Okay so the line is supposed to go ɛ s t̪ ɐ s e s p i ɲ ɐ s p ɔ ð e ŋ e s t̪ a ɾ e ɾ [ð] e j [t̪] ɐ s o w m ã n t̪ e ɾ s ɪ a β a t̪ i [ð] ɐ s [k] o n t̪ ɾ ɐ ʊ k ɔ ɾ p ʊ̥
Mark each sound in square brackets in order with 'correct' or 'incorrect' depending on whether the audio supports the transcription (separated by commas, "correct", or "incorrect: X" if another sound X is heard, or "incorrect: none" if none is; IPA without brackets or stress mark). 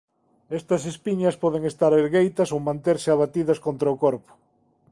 incorrect: ɣ, correct, correct, correct